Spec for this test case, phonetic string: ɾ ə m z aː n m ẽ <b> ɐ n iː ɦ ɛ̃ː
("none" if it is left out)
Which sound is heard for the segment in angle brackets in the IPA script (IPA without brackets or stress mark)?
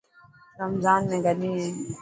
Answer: ɡ